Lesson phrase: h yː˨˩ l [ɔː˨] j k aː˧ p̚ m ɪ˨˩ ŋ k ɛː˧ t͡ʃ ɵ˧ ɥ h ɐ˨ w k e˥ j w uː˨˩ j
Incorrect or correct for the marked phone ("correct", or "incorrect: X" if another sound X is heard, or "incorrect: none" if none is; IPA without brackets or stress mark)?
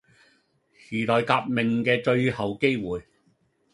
correct